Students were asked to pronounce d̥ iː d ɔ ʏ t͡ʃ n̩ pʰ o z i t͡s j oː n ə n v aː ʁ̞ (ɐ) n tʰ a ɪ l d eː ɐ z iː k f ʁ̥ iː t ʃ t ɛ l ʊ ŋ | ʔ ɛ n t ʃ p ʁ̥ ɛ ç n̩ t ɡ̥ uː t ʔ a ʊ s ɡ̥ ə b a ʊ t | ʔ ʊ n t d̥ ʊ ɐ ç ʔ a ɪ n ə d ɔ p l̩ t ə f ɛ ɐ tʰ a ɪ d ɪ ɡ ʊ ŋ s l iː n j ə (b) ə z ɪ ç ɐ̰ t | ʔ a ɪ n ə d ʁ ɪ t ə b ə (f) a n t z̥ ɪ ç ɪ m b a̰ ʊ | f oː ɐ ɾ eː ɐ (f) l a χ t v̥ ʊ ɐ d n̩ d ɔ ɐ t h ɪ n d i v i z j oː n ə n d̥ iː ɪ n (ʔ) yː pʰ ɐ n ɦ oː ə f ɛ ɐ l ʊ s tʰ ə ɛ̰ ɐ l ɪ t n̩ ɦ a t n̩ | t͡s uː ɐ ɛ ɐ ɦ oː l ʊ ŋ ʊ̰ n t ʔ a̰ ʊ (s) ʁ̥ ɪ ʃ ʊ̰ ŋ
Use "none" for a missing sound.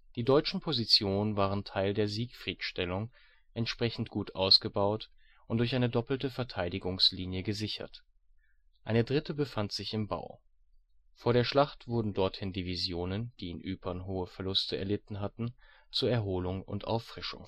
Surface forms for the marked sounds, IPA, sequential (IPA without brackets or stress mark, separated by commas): ə, ɡ, f, ʃ, ʔ, f